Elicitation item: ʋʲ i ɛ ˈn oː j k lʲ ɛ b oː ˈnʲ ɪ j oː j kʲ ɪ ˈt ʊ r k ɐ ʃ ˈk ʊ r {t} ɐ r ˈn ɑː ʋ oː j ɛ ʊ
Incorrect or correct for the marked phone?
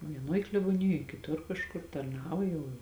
correct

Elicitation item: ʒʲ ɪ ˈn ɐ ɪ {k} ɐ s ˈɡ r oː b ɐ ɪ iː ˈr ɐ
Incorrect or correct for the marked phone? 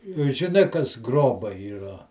correct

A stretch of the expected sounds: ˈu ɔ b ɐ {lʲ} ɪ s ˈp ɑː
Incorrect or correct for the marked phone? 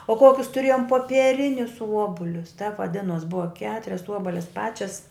correct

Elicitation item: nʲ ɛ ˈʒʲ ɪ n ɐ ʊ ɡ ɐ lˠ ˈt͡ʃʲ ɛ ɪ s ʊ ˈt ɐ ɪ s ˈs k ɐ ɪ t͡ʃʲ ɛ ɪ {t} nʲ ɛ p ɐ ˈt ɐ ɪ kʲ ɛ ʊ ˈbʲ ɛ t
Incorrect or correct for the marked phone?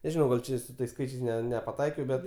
incorrect: s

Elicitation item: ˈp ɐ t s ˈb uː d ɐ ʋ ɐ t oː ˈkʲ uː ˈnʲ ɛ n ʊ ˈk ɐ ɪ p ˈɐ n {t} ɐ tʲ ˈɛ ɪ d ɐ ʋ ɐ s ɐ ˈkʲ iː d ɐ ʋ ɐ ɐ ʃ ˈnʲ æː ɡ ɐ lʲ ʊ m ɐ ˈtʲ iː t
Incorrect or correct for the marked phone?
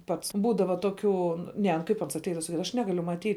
incorrect: s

